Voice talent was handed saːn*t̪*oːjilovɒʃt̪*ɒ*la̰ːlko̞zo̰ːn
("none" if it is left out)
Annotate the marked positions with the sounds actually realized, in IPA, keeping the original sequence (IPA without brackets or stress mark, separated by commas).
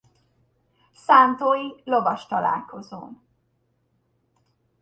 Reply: t̪, ɒ